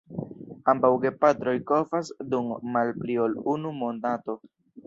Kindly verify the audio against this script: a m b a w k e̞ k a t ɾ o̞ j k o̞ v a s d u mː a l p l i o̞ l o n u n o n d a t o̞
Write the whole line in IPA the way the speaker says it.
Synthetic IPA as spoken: a m b a w ɡ e̞ p a t ɾ o̞ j k o̞ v a s d u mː a l p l i o̞ l u n u m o n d a t o̞